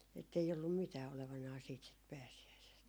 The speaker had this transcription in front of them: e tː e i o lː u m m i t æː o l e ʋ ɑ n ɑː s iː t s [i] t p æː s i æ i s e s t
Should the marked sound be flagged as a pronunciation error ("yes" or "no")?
no